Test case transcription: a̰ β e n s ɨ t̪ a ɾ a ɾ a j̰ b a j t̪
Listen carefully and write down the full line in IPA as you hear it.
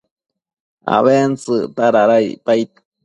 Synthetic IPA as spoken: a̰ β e n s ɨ t̪ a ɾ a ɾ a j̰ p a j t̪